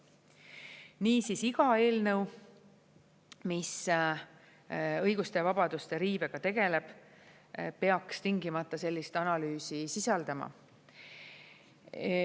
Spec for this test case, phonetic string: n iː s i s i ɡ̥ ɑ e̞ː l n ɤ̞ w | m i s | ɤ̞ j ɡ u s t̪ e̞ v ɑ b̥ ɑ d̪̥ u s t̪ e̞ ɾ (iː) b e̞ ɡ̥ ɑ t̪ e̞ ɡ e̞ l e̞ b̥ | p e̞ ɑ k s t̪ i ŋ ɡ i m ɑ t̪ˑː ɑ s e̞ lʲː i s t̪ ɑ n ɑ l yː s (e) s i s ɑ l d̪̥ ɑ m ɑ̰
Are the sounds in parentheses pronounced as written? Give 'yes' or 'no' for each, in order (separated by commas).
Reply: yes, no